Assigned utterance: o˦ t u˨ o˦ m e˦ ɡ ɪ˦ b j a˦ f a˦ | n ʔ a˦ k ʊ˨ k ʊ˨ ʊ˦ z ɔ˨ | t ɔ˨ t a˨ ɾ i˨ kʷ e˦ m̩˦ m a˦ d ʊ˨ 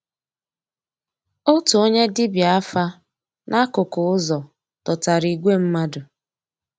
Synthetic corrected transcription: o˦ t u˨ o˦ ɲ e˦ d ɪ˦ b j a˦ f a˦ | n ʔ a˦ k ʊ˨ k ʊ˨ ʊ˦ z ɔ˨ | t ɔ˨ t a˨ ɾ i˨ ɡʷ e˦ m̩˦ m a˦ d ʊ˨